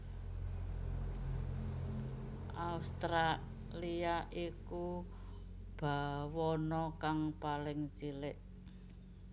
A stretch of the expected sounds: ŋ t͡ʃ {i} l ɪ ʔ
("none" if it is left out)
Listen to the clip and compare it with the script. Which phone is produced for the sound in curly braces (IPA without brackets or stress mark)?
i